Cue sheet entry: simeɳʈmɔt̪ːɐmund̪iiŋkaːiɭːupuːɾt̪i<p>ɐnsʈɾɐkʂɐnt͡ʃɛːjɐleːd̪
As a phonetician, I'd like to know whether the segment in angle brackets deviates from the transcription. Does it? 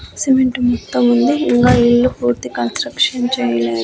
yes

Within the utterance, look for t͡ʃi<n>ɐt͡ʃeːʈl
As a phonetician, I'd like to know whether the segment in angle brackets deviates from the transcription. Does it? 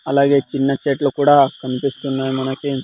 yes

